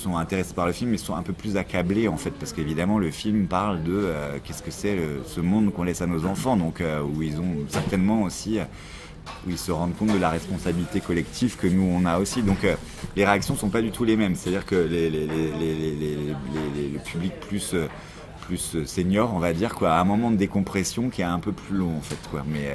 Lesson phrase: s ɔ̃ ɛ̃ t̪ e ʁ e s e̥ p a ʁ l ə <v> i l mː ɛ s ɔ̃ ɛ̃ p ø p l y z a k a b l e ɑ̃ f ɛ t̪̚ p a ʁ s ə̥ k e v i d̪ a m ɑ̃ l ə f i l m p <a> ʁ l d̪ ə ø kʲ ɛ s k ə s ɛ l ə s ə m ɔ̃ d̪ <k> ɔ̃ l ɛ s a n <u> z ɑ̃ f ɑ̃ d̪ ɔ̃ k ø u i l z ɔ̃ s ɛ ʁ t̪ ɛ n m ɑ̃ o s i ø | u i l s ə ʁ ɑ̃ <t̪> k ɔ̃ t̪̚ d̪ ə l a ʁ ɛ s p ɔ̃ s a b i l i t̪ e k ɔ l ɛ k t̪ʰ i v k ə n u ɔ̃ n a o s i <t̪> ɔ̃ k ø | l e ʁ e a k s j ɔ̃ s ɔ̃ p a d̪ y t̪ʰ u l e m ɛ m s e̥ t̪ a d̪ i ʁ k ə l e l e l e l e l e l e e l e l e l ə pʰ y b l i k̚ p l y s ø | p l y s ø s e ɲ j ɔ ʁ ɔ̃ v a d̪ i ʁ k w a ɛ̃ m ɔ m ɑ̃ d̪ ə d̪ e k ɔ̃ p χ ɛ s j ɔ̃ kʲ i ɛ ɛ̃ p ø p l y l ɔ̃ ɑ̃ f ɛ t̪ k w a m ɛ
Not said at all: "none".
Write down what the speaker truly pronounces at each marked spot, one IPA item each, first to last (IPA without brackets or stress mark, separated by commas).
f, a, k, o, d̪, d̪